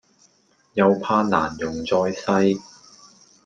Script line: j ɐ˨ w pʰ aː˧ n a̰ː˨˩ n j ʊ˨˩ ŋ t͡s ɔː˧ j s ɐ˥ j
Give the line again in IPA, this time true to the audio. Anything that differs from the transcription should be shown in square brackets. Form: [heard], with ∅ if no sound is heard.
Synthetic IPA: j ɐ˨ w pʰ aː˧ n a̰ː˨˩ n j ʊ˨˩ ŋ t͡s ɔː˧ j s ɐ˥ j